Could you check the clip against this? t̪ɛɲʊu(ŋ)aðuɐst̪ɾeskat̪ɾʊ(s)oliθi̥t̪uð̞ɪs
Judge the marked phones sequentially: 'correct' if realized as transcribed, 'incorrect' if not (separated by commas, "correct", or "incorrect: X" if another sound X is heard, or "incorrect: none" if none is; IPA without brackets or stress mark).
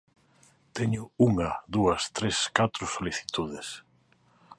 correct, correct